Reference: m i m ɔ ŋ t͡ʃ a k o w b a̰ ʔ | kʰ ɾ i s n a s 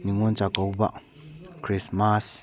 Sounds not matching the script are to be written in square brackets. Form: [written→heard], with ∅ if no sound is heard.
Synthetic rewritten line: [m→n] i [m→ŋ] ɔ [ŋ→n] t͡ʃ a k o w b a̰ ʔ | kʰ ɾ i s [n→m] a s